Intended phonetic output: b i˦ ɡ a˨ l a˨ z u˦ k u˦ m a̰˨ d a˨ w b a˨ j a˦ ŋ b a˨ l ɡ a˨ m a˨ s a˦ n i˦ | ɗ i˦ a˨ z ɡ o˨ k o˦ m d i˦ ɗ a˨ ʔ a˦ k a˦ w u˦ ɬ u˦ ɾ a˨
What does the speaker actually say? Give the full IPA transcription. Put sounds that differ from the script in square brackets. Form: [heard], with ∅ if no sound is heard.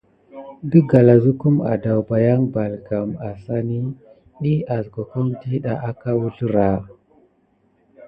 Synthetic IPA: b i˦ ɡ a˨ l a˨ z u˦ k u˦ m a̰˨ d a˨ w b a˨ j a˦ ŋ b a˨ l ɡ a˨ m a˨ s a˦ n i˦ | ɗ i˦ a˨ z ɡ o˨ k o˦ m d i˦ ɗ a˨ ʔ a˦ k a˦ w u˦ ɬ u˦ ɾ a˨